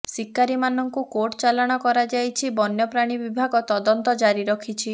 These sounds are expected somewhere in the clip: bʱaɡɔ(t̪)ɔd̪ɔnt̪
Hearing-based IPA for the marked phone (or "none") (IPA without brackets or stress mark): t̪